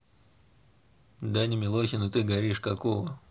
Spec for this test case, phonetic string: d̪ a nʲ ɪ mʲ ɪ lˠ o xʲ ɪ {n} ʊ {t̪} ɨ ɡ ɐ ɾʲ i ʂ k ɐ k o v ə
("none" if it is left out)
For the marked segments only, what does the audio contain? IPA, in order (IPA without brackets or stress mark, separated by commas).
n, t̪